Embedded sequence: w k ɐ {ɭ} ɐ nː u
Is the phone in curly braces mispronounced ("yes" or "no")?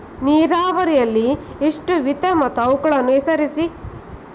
no